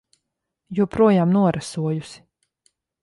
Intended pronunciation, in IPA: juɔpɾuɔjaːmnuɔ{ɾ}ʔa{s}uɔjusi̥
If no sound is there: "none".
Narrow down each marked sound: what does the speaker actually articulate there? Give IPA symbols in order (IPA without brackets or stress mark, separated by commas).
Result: ɾ, s